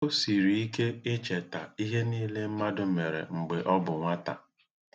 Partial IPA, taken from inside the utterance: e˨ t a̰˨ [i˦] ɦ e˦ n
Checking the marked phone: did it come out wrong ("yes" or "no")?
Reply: no